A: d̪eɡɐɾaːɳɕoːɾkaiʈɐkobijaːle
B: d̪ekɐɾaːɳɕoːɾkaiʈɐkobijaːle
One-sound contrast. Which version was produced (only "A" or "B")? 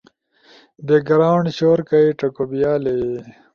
A